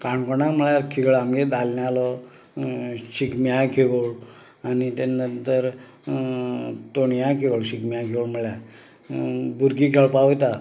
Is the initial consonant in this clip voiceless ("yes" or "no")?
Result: yes